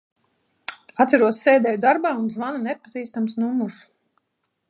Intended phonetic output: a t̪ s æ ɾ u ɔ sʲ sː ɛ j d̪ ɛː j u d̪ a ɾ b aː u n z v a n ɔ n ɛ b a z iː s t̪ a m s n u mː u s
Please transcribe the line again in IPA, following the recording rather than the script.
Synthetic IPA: a t̪ s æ ɾ u ɔ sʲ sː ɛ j d̪ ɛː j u d̪ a ɾ b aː u n z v a n u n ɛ p a z iː s t̪ a m s n u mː u s

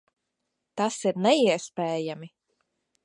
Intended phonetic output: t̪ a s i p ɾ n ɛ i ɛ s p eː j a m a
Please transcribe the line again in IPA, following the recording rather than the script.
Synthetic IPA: t̪ a s i ɾ n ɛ i ɛ s p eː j a m i

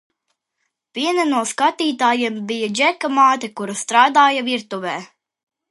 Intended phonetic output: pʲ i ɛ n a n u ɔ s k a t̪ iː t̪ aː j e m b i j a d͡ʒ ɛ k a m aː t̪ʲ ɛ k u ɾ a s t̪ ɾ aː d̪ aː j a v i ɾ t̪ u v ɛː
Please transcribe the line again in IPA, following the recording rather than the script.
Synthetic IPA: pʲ i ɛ n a n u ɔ s k a t̪ iː t̪ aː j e m b i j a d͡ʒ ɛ k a m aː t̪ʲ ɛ k u ɾ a s t̪ ɾ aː d̪ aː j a v i ɾ t̪ u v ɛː

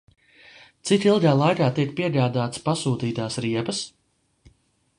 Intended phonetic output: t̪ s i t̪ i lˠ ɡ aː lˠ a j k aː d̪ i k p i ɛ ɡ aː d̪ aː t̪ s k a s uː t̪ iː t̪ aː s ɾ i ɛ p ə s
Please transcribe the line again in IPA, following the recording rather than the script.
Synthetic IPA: t̪ s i t̪ i lˠ ɡ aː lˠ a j k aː t̪ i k p i ɛ ɡ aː d̪ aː t̪ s p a s uː t̪ iː t̪ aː s ɾ i ɛ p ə s

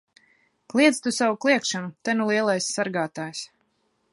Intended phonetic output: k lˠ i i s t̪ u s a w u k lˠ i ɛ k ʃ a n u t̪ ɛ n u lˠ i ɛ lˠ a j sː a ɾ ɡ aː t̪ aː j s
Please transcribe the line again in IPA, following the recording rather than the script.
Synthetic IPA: k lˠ i ɛ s t̪ u s a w u k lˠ i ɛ k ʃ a n u t̪ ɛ n u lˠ i ɛ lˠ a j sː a ɾ ɡ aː t̪ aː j s

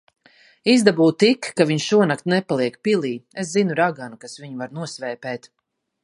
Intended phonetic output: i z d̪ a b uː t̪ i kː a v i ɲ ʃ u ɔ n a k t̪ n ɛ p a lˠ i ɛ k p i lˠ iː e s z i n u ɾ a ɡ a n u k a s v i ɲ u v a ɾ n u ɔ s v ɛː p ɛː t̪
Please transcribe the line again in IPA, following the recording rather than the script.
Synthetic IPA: i z d̪ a b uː t̪ i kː a v i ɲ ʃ u ɔ n a k t̪ n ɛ p a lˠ i ɛ k p i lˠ iː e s z i n u ɾ a ɡ a n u k a s v i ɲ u v a ɾ n u ɔ s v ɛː p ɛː t̪

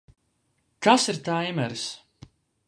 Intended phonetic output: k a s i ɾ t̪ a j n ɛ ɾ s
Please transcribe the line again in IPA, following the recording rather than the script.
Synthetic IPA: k a s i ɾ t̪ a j m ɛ ɾ s

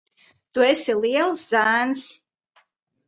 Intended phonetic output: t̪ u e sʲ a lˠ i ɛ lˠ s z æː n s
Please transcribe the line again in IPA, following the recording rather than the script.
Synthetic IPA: t̪ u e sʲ i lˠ i ɛ lˠ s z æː n s

